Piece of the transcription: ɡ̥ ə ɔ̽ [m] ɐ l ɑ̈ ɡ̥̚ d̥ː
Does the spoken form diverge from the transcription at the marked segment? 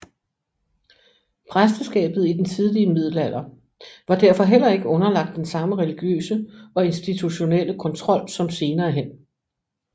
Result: yes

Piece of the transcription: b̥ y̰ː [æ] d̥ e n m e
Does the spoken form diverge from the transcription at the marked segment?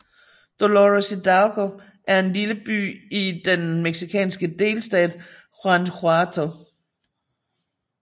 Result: yes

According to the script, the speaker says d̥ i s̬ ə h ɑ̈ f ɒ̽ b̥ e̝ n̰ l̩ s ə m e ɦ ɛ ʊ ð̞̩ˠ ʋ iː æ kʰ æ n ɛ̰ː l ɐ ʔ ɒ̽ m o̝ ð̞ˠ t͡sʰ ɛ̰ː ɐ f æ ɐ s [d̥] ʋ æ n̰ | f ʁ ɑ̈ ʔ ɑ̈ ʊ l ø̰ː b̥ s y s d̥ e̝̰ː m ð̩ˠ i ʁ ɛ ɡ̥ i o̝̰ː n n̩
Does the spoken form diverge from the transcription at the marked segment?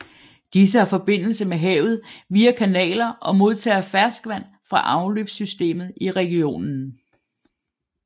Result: yes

